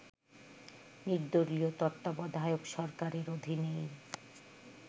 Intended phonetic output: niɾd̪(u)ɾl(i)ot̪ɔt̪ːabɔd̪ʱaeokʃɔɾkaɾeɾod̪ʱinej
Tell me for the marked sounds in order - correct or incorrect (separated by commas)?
incorrect, correct